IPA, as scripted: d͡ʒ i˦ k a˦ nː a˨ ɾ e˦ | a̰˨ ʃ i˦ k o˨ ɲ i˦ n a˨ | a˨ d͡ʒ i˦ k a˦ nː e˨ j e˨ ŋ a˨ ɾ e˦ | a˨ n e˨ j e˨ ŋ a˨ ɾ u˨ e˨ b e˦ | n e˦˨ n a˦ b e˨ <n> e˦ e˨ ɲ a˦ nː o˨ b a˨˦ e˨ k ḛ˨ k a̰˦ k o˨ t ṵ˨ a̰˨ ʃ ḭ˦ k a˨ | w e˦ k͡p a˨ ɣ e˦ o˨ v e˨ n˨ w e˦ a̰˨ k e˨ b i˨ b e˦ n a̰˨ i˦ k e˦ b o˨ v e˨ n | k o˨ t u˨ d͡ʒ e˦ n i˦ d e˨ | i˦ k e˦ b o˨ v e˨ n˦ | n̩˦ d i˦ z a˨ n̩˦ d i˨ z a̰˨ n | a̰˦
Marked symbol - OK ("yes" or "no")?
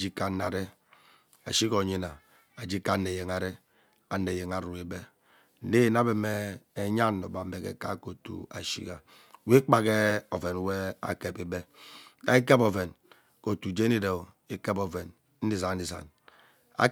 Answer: no